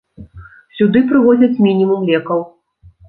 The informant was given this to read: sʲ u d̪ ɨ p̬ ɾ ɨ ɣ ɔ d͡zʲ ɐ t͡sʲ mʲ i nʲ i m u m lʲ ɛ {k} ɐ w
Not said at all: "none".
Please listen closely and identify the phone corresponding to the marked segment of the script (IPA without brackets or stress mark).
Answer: k